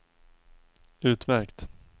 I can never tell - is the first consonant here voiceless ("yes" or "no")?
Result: yes